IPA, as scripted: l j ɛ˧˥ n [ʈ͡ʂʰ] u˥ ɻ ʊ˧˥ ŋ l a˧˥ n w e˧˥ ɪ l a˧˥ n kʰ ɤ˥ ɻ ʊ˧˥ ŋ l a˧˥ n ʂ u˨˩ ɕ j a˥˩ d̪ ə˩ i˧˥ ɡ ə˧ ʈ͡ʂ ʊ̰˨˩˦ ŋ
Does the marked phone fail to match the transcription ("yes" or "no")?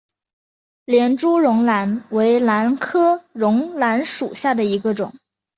yes